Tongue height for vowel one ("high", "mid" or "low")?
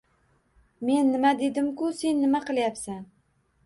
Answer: mid